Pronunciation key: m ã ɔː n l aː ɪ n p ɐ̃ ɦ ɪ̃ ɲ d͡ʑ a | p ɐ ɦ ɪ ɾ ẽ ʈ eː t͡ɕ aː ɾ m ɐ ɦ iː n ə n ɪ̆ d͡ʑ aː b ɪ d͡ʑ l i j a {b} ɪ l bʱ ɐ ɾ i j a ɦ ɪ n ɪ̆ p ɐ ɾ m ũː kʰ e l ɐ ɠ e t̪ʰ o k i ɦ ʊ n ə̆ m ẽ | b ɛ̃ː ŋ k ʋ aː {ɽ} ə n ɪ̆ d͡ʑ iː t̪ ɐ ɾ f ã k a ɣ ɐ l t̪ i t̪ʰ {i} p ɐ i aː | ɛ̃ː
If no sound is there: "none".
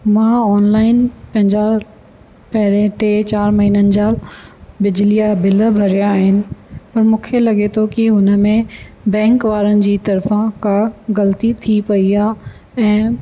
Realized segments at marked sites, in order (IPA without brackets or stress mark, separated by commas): b, ɾ, i